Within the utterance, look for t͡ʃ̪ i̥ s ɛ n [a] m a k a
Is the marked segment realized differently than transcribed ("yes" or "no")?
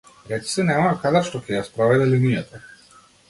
yes